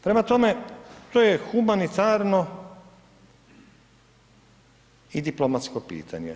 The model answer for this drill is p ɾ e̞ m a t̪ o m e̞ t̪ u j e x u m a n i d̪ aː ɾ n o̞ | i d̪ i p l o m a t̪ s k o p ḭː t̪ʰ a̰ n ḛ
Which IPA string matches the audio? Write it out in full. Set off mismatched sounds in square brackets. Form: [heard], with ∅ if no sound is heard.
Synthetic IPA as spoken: p ɾ e̞ m a t̪ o m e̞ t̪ [o] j e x u m a n i [t̪] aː ɾ n o̞ | i d̪ i p l o m a t̪ s k o p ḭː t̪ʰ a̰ [ɲ] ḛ